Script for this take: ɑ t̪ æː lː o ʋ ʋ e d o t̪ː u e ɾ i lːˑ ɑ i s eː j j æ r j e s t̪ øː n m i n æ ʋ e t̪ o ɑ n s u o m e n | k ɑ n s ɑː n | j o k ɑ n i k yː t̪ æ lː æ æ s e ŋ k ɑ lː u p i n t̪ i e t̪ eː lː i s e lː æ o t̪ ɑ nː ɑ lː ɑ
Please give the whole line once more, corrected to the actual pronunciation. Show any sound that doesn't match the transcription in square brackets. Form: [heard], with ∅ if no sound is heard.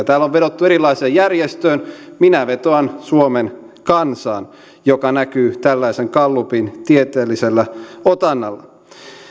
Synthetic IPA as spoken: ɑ t̪ æː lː o ʋ ʋ e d o t̪ː u e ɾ i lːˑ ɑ i s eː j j æ r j e s t̪ øː n m i n æ ʋ e t̪ o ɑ n s u o m e n | k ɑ n s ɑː n | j o k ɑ n [æ] k yː t̪ æ lː æ [i] s e ŋ k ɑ lː u p i n t̪ i e t̪ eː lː i s e lː æ o t̪ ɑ nː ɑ lː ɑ